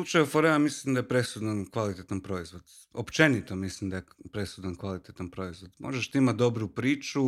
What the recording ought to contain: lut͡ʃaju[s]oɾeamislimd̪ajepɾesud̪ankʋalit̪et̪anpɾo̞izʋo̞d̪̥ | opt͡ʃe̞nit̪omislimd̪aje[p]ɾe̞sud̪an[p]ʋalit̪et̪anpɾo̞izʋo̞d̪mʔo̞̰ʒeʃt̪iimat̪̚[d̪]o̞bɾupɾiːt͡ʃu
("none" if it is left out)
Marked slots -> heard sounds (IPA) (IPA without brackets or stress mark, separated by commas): f, p, k, d̪